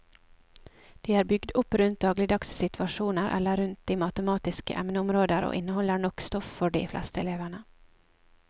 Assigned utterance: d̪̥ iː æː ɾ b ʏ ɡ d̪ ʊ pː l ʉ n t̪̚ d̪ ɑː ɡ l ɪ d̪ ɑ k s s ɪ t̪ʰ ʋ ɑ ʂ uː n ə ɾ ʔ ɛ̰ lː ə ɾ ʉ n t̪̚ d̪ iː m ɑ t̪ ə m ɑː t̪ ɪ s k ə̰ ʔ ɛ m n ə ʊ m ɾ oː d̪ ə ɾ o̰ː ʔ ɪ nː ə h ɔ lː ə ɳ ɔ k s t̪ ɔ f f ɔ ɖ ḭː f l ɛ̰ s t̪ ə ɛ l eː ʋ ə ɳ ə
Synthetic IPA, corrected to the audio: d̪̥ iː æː ɾ b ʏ ɡ d̪ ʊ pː ɾ ʉ n t̪̚ d̪ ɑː ɡ l ɪ d̪ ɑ k s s ɪ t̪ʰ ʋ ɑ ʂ uː n ə ɾ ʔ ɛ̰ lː ə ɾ ʉ n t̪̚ d̪ iː m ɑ t̪ ə m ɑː t̪ ɪ s k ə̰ ʔ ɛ m n ə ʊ m ɾ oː d̪ ə ɾ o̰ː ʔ ɪ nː ə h ɔ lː ə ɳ ɔ k s t̪ ɔ f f ɔ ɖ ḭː f l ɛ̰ s t̪ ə ɛ l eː ʋ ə ɳ ə